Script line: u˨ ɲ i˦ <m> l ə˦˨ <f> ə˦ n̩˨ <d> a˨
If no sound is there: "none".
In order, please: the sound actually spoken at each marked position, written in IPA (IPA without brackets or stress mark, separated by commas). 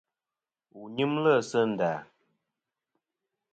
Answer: m, s, d